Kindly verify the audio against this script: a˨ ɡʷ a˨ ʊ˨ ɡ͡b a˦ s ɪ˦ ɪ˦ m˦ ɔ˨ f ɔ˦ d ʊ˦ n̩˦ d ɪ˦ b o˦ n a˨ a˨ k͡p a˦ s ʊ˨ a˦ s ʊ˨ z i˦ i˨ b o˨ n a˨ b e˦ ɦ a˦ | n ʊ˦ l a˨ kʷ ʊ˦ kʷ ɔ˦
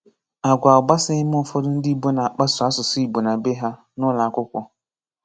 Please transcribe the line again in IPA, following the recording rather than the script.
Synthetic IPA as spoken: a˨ ɡʷ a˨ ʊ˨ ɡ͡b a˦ s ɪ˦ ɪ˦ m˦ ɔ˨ f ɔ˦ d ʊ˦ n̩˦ d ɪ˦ b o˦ n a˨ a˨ k͡p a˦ s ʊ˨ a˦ s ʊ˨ s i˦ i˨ b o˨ n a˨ b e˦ ɦ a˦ | n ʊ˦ l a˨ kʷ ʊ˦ kʷ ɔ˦